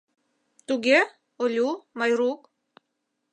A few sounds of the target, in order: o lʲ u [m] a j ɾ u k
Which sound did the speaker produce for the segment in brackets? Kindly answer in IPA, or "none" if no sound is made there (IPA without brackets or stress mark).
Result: m